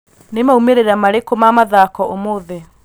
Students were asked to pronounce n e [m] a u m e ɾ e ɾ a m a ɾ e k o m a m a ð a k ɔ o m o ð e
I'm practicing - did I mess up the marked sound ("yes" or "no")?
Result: no